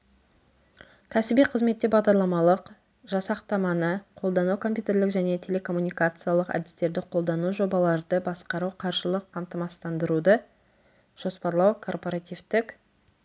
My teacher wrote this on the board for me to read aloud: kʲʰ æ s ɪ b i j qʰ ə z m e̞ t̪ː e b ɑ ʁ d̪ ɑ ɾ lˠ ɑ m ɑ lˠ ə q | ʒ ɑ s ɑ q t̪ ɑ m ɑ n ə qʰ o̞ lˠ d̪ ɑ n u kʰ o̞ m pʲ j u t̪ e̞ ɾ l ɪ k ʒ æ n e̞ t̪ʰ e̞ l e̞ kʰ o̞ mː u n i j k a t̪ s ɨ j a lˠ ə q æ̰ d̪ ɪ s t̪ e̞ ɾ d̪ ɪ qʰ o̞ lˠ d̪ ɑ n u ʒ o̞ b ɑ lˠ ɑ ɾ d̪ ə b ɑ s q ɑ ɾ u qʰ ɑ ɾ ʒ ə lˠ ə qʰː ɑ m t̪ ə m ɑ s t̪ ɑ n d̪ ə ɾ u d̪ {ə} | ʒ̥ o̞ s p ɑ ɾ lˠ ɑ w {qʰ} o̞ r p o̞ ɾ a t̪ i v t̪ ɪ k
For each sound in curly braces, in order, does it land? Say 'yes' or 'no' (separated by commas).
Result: yes, no